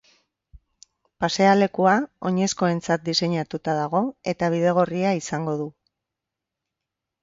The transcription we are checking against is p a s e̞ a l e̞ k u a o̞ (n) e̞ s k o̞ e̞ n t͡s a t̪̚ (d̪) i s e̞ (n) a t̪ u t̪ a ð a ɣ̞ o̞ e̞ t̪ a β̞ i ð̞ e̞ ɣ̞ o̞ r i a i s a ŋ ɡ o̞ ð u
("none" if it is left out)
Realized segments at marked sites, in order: ɲ, d̪, ɲ

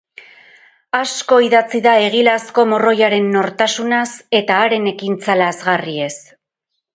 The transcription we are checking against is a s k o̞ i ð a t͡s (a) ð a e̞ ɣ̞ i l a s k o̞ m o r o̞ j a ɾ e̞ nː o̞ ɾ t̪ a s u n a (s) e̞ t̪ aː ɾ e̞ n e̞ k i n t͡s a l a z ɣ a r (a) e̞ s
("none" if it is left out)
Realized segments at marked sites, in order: i, s, i

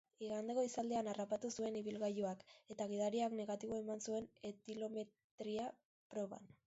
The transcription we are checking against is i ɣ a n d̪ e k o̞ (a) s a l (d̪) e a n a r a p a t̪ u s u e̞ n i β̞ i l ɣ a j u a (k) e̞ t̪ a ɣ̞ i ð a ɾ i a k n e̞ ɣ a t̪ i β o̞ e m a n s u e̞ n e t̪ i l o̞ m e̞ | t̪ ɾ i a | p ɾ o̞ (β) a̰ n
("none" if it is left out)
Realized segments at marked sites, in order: i, d̪, k, β

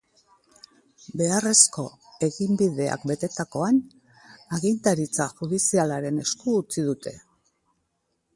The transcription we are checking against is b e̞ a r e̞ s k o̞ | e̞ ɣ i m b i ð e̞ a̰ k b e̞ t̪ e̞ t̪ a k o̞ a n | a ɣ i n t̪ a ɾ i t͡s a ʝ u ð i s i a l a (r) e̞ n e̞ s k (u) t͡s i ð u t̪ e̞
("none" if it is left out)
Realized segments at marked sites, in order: ɾ, uː

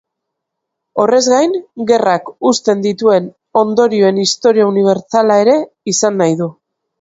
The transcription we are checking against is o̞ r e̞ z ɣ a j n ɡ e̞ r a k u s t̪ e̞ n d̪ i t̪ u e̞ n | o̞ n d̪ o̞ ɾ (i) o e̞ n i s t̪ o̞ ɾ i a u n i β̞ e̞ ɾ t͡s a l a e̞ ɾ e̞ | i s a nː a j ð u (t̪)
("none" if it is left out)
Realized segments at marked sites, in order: i, none

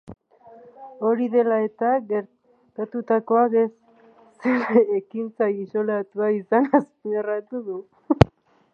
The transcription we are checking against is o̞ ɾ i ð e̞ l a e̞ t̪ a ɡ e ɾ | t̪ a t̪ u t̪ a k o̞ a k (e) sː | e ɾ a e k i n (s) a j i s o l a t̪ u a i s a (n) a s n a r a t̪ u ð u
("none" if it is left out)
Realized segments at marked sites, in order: e, t͡s, n

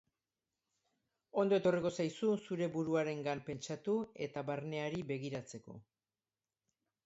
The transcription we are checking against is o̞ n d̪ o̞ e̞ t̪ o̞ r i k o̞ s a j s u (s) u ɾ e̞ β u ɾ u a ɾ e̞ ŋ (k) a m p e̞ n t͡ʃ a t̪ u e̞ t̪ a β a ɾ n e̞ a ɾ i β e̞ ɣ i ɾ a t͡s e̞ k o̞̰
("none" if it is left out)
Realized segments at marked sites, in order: s, ɡ

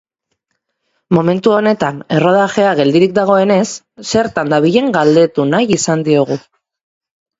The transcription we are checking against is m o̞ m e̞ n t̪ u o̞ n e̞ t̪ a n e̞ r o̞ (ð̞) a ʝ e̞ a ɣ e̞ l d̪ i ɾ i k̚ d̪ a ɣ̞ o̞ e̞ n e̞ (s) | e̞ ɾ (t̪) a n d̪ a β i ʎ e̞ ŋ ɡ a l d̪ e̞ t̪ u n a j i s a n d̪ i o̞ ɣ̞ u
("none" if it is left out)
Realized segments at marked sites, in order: ð̞, sː, t̪

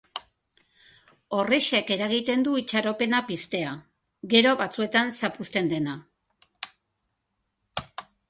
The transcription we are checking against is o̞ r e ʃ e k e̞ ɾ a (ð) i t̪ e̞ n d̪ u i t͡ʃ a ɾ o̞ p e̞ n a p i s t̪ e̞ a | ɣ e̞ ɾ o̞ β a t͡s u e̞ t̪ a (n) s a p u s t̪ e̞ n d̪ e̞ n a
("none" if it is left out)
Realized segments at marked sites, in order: ɣ, n

